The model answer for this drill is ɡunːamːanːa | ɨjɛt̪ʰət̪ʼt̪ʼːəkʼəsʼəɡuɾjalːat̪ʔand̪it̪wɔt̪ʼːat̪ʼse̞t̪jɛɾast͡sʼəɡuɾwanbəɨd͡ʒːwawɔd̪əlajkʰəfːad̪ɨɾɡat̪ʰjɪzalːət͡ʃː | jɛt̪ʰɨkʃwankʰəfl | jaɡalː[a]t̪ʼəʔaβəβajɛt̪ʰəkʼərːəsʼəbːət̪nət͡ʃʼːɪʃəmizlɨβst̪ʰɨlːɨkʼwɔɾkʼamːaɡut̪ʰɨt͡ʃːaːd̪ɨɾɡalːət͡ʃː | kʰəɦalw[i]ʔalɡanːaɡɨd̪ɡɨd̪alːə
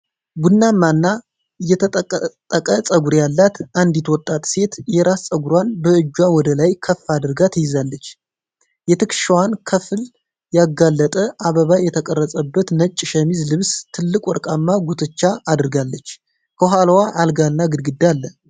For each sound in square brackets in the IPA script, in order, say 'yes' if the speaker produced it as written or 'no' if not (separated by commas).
no, no